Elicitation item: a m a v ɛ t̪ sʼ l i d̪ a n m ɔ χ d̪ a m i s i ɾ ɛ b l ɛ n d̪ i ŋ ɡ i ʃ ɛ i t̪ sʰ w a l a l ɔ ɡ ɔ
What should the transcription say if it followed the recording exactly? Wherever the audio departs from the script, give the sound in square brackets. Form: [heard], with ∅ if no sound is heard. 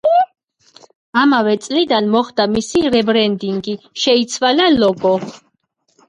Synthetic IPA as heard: a m a v ɛ t̪ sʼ l i d̪ a n m ɔ χ d̪ a m i s i ɾ ɛ b [ɾ] ɛ n d̪ i ŋ ɡ i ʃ ɛ i t̪ sʰ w a l a l ɔ ɡ ɔ